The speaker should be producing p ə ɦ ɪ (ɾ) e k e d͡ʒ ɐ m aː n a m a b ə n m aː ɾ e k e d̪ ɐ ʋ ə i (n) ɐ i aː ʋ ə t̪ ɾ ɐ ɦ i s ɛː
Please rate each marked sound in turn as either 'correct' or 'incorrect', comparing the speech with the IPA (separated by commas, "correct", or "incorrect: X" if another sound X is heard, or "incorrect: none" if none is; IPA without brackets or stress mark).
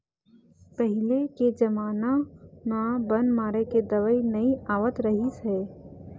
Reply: incorrect: l, correct